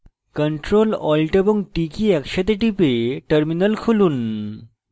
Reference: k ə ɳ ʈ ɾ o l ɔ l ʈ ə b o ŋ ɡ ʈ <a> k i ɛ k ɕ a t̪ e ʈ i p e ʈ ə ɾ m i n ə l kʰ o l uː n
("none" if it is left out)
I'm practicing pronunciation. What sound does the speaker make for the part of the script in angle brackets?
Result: i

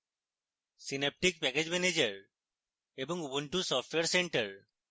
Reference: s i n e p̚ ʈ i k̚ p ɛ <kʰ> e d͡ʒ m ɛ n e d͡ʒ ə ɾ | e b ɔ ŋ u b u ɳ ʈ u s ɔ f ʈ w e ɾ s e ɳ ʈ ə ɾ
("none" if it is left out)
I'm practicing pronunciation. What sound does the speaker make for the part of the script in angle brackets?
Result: k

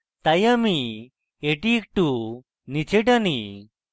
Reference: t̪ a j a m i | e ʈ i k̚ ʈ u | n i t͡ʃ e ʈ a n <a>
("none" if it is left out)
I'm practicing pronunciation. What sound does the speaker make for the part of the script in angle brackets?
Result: i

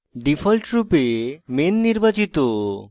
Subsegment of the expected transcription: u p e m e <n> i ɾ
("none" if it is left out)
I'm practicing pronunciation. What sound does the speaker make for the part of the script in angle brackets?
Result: nː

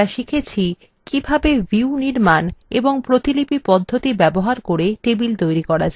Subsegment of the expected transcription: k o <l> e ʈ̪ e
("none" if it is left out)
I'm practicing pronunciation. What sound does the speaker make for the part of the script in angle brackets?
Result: ɾ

